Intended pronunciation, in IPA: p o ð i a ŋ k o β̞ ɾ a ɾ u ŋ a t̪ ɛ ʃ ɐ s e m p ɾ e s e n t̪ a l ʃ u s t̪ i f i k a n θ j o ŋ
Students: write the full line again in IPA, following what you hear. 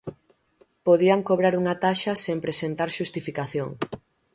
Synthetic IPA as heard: p o ð i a ŋ k o β̞ ɾ a ɾ u ŋ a t̪ a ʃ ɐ s e m p ɾ e s e n t̪ a ɾ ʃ u s t̪ i f i k a θ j o ŋ

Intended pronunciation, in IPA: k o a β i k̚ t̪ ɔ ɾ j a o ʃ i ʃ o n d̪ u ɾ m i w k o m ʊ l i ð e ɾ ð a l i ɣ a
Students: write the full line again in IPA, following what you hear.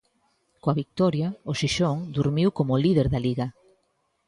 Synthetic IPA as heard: k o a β i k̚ t̪ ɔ ɾ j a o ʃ i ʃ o ŋ d̪ u ɾ m i w k o m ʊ l i ð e ɾ ð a l i ɣ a

